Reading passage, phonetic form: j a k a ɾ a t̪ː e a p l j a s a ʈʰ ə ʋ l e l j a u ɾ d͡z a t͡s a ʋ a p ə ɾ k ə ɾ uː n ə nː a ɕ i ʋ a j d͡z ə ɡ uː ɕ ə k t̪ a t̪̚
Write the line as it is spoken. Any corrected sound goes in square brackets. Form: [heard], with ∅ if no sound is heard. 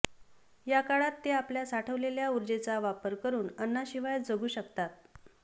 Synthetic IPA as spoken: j a k a [ɭ] a t̪ː e a p l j a s a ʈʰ ə ʋ l e l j a u ɾ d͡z [e] t͡s a ʋ a p ə ɾ k ə ɾ uː n ə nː a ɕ i ʋ a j d͡z ə ɡ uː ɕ ə k t̪ a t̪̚